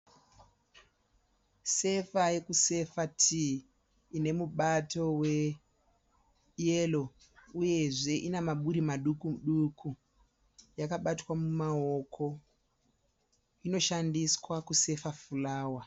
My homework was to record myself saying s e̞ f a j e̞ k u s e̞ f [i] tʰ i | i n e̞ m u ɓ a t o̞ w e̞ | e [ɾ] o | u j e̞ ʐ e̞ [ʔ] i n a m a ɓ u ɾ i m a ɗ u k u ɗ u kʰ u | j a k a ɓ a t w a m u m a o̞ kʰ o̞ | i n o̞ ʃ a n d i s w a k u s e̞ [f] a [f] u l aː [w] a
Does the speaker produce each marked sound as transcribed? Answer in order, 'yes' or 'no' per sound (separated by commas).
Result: no, no, yes, yes, yes, yes